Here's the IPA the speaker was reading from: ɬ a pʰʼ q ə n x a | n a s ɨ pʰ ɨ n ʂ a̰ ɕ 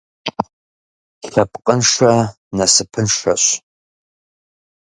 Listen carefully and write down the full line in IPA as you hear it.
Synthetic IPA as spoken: ɬ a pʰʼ qʼ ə n ʂ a | n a s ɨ pʰ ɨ n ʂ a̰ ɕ